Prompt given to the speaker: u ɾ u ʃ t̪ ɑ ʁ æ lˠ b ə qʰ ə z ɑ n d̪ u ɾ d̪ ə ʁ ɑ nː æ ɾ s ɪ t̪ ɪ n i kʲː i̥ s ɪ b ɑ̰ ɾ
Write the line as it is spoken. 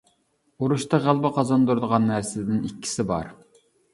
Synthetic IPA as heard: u ɾ u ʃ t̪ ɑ ʁ æ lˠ b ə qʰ ɑ z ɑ n d̪ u ɾ d̪ ə ʁ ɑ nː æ ɾ s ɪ d̪ ɪ n i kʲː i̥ s ɪ b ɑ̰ ɾ